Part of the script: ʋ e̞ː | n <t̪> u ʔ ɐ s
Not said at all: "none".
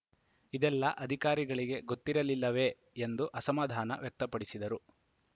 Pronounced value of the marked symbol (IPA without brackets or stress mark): d̪